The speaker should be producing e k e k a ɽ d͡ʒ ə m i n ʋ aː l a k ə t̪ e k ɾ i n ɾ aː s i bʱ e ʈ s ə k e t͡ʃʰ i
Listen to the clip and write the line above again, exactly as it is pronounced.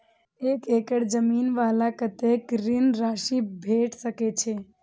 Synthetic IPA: e k e k ə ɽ d͡ʒ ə m i n ʋ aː l a k ə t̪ e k ɾ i n ɾ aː ʃ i bʱ e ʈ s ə k e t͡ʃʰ e